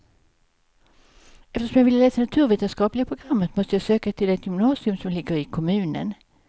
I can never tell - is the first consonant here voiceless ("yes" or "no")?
yes